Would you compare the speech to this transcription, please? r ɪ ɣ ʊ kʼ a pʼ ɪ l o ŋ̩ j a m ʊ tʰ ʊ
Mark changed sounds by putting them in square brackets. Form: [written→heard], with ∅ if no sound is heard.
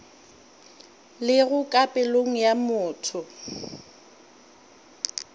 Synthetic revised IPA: [r→l] ɪ ɣ ʊ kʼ a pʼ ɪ l o ŋ̩ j a m [ʊ→ʊː] tʰ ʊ